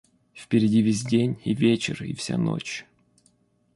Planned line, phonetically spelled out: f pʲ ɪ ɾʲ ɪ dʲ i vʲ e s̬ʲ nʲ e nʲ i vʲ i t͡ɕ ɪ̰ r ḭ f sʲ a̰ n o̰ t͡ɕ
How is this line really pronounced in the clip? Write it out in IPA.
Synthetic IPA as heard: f pʲ ɪ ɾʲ ɪ dʲ i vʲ e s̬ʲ dʲ e nʲ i vʲ e t͡ɕ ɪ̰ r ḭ f sʲ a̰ n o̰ t͡ɕ